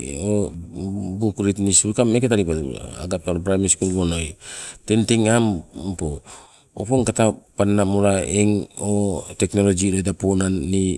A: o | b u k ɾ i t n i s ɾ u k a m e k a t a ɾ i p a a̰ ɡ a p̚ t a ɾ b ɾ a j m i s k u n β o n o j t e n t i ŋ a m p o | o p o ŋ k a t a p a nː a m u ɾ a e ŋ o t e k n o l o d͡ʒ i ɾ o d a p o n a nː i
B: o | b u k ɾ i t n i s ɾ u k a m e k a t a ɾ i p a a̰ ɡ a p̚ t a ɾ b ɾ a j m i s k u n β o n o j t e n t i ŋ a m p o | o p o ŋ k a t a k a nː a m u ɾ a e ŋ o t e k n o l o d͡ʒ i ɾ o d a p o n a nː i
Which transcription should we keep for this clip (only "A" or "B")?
A